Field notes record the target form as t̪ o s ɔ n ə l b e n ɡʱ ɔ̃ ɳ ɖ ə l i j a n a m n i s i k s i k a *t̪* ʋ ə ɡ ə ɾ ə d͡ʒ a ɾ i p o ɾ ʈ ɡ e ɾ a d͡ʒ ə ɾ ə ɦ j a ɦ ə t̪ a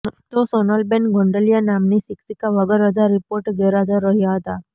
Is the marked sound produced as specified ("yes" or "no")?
no